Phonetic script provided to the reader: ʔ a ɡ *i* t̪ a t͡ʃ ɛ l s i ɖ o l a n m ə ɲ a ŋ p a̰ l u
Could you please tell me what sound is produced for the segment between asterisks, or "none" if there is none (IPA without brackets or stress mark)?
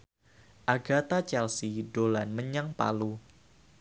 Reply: a